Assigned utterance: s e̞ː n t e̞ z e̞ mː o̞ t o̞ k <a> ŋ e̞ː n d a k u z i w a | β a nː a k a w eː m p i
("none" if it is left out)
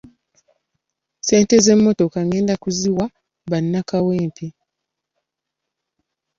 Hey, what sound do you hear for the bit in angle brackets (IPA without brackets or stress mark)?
a